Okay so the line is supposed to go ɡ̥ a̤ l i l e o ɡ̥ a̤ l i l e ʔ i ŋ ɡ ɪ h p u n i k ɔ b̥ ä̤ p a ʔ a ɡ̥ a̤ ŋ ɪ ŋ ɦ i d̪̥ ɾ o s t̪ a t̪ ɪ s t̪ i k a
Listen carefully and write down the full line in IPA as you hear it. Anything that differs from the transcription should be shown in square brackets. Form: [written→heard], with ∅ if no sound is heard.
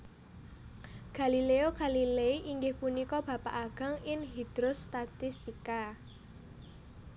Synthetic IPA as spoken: ɡ̥ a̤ l i l e o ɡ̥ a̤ l i l e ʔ i ŋ ɡ ɪ h p u n i k ɔ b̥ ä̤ p a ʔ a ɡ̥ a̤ ŋ ɪ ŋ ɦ i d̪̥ ɾ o s t̪ a t̪ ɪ s t̪ i k a